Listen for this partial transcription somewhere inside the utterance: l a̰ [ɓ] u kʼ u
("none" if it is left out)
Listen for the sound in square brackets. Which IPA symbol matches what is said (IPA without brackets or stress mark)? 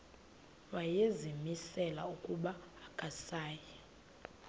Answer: none